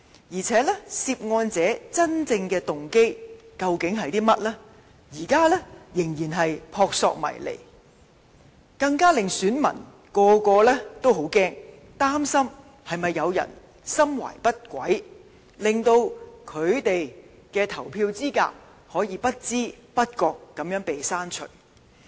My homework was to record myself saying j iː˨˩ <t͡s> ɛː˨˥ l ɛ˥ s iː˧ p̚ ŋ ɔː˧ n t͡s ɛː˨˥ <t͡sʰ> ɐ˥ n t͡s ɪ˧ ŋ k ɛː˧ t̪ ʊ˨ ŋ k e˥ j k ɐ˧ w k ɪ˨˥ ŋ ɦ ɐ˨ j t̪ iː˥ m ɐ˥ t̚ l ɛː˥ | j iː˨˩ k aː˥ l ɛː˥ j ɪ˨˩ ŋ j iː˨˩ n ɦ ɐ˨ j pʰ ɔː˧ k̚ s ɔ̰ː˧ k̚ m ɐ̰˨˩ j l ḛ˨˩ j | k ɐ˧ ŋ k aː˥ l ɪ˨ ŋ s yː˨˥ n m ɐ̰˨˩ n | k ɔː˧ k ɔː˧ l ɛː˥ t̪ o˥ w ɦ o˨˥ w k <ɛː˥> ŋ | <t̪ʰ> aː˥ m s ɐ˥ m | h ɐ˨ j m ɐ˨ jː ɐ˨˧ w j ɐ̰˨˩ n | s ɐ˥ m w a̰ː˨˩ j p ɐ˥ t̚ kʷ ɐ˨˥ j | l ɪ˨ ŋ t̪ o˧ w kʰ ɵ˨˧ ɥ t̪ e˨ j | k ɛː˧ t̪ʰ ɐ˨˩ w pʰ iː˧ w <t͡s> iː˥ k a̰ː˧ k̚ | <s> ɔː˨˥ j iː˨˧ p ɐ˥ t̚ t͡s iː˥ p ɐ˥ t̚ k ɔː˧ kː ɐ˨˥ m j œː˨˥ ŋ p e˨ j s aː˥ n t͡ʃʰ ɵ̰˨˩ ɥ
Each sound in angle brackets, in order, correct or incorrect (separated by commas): incorrect, incorrect, correct, incorrect, correct, incorrect